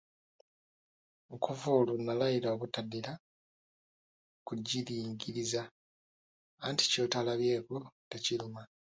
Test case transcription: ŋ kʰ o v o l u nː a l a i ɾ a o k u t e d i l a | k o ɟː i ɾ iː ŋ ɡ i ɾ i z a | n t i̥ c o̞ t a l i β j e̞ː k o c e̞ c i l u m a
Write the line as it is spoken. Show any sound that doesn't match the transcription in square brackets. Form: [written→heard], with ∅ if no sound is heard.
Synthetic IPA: ŋ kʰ o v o l u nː a l a i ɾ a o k u t [e→a] d i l a | k [o→u] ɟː i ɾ iː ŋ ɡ i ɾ i z a | n t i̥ c o̞ t a l [i→a] β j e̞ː k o [c→t] e̞ c i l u m a